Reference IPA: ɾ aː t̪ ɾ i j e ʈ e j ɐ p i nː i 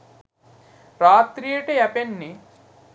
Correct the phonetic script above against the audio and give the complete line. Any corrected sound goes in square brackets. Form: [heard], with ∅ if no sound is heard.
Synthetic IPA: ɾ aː t̪ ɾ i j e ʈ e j ɐ p [e] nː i